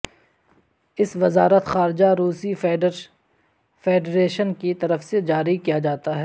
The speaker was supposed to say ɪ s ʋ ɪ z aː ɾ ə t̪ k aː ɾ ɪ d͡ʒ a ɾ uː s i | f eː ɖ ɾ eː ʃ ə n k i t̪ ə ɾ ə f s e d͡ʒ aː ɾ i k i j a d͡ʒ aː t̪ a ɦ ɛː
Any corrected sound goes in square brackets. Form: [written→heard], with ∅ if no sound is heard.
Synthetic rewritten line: ɪ s ʋ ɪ z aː ɾ ə t̪ [k→x] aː ɾ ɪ d͡ʒ a ɾ uː s i | f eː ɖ ɾ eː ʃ ə n k i t̪ [ə→ɐ] ɾ ə f s e d͡ʒ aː ɾ i k i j a d͡ʒ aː t̪ a ɦ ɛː